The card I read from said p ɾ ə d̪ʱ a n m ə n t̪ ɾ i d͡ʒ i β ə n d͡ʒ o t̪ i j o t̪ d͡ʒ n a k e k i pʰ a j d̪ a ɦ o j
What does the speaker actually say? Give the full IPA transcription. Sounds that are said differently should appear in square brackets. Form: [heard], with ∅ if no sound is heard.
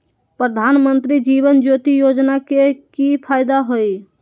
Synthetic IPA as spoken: p ɾ ə d̪ʱ a n m ə n t̪ ɾ i d͡ʒ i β ə n d͡ʒ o t̪ i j o [∅] d͡ʒ n a k e k i pʰ a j d̪ a ɦ o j